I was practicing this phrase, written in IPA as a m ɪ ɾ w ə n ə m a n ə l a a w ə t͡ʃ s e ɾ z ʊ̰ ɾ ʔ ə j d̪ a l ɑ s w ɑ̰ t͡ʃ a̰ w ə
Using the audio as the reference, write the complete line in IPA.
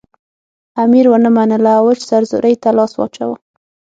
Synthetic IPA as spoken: a m i ɾ w ə n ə m a n ə l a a w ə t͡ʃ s a ɾ z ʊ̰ ɾ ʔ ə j t̪ a l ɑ s w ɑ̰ t͡ʃ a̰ w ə